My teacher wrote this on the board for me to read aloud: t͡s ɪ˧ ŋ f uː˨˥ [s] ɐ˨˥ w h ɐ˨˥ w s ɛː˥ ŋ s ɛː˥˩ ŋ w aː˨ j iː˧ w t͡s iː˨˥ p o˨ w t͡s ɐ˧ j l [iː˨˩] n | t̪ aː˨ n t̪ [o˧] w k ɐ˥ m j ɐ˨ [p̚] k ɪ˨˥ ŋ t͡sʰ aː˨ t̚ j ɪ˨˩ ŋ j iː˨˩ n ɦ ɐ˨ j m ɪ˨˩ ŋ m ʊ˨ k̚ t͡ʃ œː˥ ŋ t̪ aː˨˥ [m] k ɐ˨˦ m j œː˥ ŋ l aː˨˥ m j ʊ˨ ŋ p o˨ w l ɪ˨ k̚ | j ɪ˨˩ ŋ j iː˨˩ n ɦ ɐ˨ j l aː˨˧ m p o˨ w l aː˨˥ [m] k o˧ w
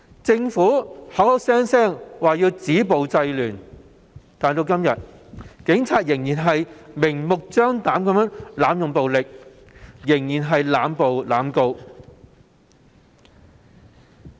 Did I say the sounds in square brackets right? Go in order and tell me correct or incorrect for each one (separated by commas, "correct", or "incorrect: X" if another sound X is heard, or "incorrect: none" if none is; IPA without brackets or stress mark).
incorrect: h, incorrect: yː˨˩, correct, incorrect: t̚, correct, correct